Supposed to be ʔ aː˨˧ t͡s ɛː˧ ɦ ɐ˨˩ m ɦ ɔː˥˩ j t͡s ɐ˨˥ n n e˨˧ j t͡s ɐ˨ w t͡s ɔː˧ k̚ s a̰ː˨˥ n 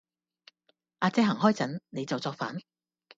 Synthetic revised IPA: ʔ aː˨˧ t͡s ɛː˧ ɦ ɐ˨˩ ŋ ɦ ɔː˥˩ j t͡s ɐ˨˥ n n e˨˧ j t͡s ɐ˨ w t͡s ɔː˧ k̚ f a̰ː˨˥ n